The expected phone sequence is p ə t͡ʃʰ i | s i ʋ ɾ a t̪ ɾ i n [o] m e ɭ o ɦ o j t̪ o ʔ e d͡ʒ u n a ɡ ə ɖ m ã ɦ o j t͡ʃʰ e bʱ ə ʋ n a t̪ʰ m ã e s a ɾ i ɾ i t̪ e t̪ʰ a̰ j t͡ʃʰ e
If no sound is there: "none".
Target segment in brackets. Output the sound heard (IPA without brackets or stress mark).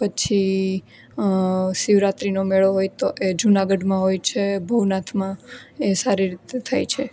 o